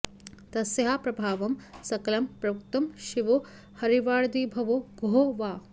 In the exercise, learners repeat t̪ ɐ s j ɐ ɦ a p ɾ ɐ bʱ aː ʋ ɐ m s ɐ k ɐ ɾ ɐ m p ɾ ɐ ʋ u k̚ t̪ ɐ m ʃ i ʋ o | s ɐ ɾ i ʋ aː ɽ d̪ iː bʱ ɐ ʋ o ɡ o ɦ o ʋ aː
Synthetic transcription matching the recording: t̪ ɐ s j ɐ ɦ a p ɾ ɐ bʱ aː ʋ ɐ m s ɐ k ɐ l ɐ m p ɾ ɐ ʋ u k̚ t̪ ɐ m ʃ i ʋ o | h ɐ ɾ i ʋ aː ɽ d̪ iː bʱ ɐ ʋ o ɡ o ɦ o ʋ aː